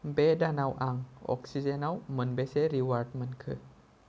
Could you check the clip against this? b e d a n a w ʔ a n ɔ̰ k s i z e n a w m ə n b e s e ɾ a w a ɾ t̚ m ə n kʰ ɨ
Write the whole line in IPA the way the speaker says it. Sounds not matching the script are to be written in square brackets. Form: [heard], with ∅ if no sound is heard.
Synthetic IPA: b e d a n a w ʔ a [ŋ] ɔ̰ k s i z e n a w m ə n b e s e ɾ [i] w a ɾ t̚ m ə n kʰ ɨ